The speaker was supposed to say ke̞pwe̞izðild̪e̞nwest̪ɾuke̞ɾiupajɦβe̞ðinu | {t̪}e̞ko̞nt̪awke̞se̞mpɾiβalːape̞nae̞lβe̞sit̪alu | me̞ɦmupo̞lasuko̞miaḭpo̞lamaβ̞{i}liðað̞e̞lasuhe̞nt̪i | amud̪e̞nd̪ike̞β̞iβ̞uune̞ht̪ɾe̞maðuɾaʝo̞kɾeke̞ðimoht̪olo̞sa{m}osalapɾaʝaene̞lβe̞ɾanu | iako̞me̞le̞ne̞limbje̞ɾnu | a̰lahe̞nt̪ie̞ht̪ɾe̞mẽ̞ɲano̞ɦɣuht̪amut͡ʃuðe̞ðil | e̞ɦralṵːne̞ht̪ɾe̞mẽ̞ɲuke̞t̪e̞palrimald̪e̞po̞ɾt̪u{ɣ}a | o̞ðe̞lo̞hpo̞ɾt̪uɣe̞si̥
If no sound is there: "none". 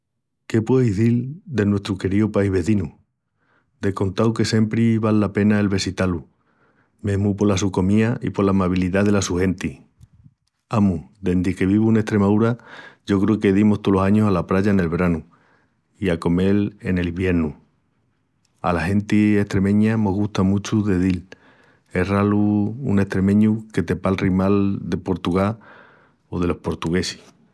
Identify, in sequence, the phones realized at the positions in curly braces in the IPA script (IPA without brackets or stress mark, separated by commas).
d̪, i, ɲ, ɣ